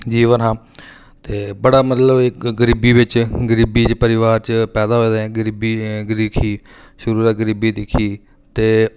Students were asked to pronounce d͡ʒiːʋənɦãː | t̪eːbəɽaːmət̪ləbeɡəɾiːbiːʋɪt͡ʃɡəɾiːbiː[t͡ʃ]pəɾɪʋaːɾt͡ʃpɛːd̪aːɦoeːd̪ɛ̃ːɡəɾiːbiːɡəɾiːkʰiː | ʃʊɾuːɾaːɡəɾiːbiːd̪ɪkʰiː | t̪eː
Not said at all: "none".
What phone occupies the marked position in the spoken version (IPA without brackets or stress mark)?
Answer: t͡ʃ